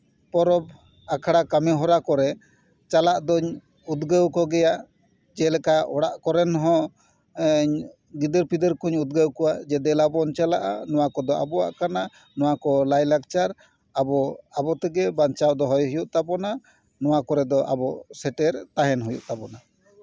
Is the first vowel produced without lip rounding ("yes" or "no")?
no